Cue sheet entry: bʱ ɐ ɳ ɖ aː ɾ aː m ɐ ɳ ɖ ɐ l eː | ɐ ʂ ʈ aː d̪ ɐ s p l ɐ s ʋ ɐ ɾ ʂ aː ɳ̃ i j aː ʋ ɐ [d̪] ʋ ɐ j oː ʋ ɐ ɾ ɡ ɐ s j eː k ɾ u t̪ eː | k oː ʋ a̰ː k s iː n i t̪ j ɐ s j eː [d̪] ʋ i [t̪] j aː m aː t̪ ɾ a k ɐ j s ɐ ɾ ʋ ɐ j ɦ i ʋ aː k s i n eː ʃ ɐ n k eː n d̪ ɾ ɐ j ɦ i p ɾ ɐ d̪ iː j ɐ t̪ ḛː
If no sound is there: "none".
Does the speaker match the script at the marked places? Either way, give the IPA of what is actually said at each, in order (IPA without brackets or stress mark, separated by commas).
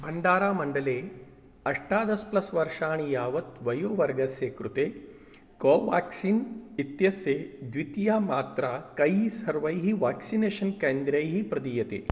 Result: t̪, d̪, t̪